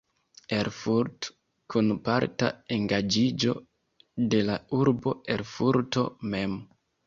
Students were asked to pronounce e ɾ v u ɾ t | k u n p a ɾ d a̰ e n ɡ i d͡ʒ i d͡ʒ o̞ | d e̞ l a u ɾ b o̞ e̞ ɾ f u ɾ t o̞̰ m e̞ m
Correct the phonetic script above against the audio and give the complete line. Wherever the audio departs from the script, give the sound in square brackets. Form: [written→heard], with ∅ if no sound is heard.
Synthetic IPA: e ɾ [v→f] u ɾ t | k u n p a ɾ [d→t] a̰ e [n→ŋ] ɡ [i→a] d͡ʒ i d͡ʒ o̞ | d e̞ l a u ɾ b o̞ e̞ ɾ f u ɾ t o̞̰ m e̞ m